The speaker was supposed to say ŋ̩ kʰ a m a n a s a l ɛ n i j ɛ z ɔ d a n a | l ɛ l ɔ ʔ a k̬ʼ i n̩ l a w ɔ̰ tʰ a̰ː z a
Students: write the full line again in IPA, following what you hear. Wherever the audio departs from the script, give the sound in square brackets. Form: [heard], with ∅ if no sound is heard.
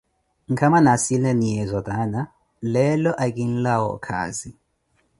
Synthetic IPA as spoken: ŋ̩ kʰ a m a n a s [i] l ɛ n i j ɛ z ɔ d a n a | l ɛ l ɔ ʔ a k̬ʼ i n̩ l a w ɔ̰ [kʰ] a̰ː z [i]